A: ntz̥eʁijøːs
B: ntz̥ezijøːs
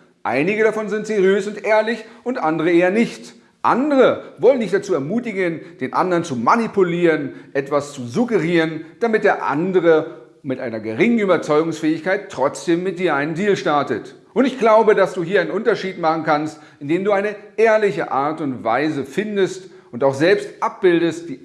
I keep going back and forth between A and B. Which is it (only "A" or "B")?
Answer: A